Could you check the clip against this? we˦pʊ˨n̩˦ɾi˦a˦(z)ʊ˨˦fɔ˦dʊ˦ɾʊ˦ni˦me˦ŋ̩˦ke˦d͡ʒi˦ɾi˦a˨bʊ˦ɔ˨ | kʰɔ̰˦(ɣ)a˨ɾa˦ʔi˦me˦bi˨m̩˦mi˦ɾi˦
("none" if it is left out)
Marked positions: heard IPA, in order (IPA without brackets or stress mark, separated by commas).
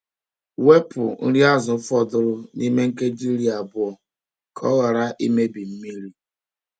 z, ɣ